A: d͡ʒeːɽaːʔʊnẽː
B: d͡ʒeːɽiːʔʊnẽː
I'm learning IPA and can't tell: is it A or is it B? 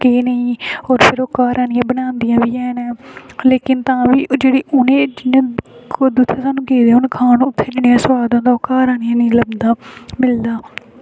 B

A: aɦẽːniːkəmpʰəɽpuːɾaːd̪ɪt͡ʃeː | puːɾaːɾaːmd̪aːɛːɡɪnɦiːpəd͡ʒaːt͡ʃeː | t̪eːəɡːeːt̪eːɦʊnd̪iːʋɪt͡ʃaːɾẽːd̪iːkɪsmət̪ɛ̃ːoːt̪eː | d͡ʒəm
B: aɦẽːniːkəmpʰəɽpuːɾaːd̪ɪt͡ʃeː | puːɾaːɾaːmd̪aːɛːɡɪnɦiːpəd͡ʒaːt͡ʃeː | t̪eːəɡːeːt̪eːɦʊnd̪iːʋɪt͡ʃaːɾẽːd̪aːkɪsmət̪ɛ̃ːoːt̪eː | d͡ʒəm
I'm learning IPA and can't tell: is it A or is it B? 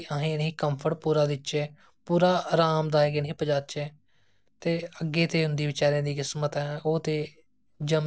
A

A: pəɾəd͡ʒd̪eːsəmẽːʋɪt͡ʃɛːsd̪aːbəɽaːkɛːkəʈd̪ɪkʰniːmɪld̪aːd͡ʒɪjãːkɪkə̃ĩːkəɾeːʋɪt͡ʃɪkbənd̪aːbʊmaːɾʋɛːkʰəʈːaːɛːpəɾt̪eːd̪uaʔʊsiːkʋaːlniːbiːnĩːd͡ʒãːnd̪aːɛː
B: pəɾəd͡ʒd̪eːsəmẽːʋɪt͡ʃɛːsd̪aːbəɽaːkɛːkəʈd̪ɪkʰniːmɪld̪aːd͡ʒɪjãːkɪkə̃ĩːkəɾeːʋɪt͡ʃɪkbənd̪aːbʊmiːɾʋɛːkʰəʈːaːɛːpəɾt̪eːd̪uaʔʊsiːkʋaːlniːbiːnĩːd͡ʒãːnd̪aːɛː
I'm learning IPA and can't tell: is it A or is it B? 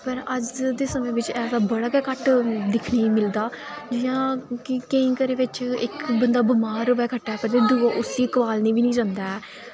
A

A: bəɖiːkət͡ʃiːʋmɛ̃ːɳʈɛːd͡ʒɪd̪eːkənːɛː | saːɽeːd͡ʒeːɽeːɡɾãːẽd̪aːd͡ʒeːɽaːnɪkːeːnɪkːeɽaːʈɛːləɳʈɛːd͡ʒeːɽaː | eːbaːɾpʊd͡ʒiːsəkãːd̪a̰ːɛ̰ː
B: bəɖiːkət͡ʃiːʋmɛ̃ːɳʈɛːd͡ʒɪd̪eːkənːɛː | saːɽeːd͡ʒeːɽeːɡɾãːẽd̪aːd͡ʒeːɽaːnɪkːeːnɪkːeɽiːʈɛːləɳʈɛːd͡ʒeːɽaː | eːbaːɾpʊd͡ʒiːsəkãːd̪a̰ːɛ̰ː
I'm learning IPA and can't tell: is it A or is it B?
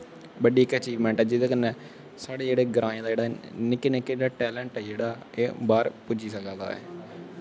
A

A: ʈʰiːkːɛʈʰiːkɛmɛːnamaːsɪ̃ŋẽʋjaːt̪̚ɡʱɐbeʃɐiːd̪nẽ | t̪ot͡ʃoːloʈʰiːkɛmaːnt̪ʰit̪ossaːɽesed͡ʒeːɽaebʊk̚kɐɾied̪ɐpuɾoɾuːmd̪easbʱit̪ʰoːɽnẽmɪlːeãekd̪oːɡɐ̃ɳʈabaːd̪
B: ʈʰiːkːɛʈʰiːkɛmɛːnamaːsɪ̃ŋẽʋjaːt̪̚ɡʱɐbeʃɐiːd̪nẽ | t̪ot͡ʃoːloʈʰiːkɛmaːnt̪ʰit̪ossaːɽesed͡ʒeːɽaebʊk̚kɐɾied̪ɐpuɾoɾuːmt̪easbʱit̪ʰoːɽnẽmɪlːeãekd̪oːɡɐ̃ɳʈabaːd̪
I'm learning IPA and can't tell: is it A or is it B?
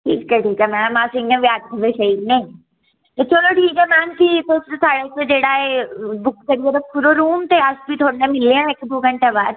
B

